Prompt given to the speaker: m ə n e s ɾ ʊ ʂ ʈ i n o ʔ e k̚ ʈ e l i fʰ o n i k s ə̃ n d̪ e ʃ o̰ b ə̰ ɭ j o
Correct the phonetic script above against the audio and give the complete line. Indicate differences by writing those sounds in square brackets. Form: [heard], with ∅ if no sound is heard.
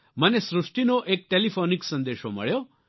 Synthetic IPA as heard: m ə n e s ɾ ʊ ʂ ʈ i n o ʔ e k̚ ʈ e l i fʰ o n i k s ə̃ n d̪ e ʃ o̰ [m] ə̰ ɭ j o